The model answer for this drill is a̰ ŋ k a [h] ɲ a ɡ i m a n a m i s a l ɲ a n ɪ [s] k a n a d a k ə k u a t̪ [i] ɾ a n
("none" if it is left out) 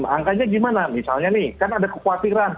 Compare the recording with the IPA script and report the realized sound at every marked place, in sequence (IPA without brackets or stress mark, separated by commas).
none, h, i